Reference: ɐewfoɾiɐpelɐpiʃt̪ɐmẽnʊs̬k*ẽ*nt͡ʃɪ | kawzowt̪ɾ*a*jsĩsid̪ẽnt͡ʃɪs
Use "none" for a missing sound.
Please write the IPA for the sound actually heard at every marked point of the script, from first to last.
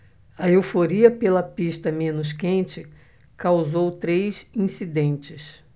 ẽ, e

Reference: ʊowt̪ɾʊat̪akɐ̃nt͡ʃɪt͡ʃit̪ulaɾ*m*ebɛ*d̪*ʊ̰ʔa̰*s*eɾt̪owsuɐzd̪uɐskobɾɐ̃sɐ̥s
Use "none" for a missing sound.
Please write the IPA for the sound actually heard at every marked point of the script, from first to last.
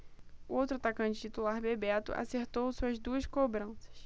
b, t̪, s

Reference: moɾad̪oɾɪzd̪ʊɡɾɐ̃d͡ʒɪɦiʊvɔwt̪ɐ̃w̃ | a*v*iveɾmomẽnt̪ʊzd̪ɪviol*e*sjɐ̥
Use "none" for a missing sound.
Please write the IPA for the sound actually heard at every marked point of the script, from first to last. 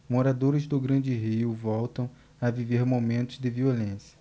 v, ẽ

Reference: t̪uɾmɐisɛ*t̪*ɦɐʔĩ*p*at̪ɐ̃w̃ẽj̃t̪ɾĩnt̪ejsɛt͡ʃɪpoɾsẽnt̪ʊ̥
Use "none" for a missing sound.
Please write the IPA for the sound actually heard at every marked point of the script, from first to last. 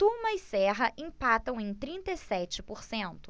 none, p

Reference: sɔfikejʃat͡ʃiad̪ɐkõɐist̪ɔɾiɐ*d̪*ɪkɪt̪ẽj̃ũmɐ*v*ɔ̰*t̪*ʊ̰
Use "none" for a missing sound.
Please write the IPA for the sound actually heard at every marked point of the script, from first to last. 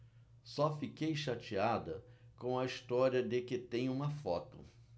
d̪, f, t̪

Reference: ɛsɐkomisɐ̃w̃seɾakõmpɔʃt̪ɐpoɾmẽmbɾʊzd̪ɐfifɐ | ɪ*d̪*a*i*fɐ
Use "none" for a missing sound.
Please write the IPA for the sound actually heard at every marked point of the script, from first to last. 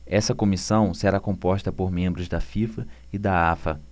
d̪, a

